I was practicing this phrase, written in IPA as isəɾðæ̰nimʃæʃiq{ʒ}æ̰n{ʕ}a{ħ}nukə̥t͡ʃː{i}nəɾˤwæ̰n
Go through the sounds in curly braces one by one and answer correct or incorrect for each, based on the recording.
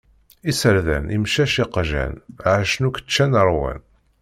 correct, correct, incorrect: ʃ, incorrect: æ

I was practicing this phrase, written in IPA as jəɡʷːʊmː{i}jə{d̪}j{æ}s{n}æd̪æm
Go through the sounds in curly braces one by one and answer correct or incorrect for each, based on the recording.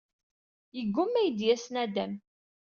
incorrect: æ, correct, correct, correct

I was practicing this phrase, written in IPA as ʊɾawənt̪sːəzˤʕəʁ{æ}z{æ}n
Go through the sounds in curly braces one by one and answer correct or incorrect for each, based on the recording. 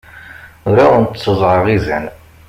incorrect: i, correct

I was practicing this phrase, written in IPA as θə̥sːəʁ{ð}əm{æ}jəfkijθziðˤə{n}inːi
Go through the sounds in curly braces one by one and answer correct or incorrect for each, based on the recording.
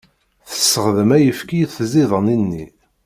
correct, correct, correct

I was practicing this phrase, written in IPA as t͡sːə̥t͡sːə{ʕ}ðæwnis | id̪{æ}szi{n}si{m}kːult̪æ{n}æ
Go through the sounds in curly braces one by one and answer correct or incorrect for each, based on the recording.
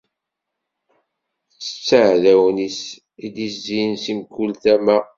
correct, incorrect: i, correct, correct, incorrect: m

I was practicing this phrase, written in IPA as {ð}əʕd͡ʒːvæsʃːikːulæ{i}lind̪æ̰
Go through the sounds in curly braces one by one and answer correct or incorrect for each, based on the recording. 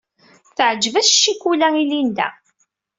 incorrect: θ, correct

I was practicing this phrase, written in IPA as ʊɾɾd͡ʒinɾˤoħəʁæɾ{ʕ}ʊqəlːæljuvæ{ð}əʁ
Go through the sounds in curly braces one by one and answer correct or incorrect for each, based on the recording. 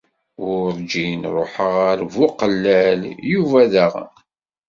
incorrect: v, correct

